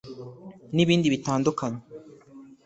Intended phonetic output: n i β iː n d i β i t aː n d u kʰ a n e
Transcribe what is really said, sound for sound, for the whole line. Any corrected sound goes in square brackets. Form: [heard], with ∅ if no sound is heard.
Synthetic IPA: n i β iː n d i β i t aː n d u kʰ a [ɲ] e